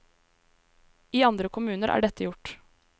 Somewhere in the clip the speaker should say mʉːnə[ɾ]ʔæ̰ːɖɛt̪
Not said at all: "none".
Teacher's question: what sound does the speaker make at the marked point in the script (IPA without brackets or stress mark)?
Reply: ɾ